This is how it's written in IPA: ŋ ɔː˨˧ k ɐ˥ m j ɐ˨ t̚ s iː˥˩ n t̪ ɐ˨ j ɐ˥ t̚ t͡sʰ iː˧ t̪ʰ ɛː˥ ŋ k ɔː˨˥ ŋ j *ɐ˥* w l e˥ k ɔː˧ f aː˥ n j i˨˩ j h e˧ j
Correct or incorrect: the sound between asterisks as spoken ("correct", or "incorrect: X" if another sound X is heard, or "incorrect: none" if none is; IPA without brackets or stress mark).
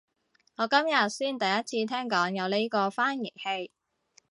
incorrect: ɐ˨˧